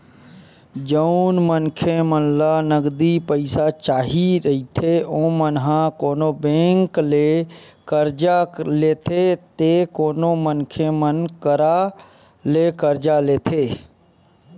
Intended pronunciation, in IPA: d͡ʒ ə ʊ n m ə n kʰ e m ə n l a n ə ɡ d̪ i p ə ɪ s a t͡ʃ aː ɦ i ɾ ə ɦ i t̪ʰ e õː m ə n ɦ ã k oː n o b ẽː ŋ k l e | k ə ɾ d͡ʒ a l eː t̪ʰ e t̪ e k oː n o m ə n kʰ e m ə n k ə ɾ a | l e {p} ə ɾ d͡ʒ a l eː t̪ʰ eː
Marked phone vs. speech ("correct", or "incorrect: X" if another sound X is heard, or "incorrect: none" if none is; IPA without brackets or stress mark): incorrect: k